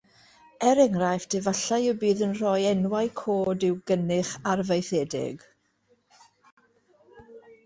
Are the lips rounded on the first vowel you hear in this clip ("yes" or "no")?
no